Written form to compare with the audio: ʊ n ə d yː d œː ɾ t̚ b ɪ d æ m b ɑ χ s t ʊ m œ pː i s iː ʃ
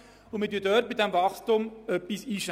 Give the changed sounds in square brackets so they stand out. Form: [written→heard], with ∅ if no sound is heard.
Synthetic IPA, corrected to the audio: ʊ [n→m] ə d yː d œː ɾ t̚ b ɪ d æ m [b→v] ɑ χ s t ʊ m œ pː i s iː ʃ